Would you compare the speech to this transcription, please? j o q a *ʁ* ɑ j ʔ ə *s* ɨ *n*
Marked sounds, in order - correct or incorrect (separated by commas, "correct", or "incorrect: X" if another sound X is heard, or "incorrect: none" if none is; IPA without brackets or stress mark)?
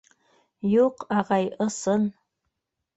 correct, correct, correct